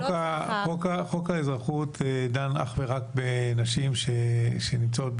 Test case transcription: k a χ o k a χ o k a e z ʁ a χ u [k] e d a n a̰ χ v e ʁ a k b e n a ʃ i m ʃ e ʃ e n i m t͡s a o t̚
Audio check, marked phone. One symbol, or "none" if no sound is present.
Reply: t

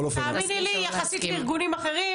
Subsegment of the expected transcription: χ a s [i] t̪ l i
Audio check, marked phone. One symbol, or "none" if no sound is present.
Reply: i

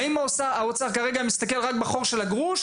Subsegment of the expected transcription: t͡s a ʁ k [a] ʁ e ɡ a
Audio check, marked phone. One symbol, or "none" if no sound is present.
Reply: a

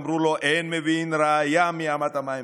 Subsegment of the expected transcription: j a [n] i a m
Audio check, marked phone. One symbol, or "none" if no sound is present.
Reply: m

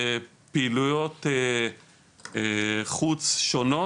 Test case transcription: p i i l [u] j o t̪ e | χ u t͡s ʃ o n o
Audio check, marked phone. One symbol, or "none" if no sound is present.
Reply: u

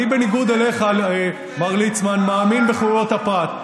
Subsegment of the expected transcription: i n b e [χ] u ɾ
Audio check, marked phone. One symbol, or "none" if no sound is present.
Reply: χ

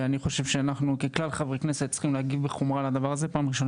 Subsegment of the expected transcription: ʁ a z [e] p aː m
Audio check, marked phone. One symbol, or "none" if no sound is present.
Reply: e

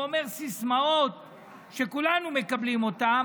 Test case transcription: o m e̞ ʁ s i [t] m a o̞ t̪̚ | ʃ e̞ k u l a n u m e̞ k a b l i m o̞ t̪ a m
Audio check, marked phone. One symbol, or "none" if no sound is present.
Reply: s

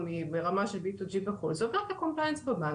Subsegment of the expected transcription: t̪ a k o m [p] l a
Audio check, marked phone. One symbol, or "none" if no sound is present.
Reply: p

